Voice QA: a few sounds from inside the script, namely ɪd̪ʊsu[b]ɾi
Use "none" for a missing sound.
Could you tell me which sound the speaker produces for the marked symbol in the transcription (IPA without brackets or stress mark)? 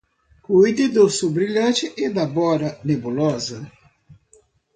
b